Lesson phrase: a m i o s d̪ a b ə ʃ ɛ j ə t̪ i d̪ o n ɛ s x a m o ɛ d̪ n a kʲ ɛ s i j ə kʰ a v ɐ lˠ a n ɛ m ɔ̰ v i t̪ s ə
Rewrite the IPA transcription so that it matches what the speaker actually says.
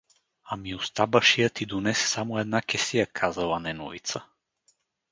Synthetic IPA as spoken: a m i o s t̪ a b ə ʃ i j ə t̪ i d̪ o n ɛ s s a m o ɛ d̪ n a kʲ ɛ s i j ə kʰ a z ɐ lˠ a n ɛ n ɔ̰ v i t̪ s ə